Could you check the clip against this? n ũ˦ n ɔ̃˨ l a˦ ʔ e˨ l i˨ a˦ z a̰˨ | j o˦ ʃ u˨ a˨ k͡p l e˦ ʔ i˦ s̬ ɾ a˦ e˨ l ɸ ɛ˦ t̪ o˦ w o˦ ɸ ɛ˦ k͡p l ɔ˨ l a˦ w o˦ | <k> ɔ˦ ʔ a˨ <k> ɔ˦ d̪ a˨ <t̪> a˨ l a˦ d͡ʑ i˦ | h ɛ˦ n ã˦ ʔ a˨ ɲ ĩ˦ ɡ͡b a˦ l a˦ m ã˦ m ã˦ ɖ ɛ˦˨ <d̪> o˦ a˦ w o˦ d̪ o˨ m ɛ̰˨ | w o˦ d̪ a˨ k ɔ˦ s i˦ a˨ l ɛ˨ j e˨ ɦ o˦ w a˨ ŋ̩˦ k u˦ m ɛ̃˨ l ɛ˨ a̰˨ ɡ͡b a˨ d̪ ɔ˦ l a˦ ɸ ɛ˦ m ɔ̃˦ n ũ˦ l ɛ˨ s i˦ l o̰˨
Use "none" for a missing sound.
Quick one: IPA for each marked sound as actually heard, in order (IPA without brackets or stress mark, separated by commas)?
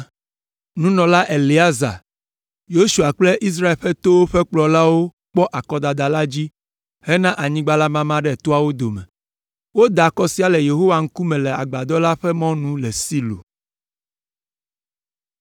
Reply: k͡p, k, d̪, t̪